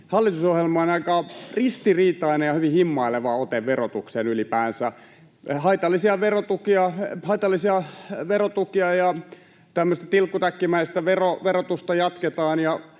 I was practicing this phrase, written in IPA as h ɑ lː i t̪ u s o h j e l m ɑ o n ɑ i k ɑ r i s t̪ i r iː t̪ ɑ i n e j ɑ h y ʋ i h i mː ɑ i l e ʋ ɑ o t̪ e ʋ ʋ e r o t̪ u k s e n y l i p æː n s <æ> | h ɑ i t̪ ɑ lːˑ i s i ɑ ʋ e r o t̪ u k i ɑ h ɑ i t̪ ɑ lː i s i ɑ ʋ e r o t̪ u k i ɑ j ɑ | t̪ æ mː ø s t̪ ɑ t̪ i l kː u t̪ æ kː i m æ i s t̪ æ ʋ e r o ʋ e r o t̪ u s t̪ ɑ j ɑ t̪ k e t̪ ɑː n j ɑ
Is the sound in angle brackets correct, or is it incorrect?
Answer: correct